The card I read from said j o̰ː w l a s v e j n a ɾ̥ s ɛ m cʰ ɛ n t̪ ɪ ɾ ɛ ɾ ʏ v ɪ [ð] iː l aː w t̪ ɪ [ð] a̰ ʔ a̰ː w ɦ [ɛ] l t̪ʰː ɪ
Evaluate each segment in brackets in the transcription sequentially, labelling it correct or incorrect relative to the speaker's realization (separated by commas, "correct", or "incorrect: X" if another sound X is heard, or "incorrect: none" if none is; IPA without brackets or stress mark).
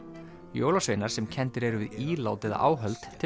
correct, correct, incorrect: œ